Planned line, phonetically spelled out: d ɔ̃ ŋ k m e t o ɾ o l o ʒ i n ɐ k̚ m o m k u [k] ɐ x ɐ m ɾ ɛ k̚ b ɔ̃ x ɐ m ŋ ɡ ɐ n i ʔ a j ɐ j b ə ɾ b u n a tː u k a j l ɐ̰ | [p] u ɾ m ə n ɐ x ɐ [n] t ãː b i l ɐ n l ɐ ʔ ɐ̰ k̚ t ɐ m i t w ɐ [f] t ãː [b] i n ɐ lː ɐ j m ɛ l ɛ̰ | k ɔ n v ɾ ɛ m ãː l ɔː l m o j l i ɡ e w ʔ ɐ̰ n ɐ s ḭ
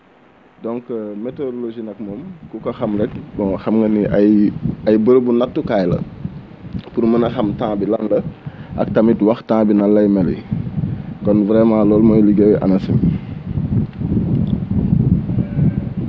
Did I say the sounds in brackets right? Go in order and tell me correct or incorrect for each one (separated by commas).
correct, correct, incorrect, incorrect, correct